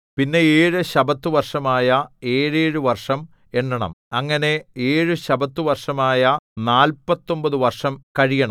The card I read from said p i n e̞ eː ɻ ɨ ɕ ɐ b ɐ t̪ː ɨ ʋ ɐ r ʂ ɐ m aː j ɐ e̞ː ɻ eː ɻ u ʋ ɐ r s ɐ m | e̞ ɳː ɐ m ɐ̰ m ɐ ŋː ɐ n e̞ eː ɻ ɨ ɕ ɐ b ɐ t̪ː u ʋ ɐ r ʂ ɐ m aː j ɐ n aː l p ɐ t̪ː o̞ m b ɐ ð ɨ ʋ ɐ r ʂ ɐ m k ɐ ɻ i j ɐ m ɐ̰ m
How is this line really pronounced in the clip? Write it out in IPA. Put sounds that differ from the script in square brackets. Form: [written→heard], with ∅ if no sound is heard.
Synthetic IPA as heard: p i [n→nː] e̞ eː ɻ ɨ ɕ ɐ b ɐ t̪ː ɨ ʋ ɐ r ʂ ɐ m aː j ɐ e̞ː ɻ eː ɻ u ʋ ɐ r [s→ʂ] ɐ m | e̞ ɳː ɐ [m→ɳ] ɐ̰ m ɐ ŋː ɐ n e̞ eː ɻ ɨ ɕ ɐ b ɐ t̪ː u ʋ ɐ r ʂ ɐ m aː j ɐ n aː l p ɐ t̪ː o̞ m b ɐ ð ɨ ʋ ɐ r ʂ ɐ m k ɐ ɻ i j ɐ [m→ɳ] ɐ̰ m